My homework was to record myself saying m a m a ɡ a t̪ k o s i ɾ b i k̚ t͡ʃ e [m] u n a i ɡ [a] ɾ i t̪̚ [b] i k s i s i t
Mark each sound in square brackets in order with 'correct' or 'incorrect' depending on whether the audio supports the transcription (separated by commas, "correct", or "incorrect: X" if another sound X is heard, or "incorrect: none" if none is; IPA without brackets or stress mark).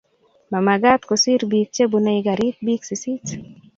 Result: incorrect: b, correct, correct